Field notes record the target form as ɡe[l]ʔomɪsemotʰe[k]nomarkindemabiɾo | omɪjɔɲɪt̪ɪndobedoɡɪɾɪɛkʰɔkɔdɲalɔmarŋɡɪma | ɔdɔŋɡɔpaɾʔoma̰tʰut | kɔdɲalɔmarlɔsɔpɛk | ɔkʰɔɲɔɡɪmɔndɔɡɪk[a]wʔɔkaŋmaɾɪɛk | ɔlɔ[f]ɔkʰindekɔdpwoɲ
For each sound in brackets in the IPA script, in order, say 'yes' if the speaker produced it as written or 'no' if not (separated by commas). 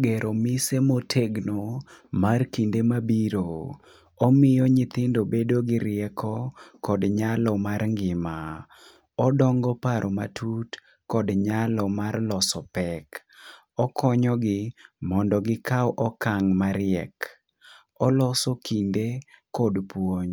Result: no, no, yes, no